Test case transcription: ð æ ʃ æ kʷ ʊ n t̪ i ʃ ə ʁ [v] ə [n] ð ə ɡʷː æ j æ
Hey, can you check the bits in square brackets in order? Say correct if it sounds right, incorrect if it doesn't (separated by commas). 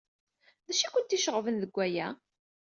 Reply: correct, correct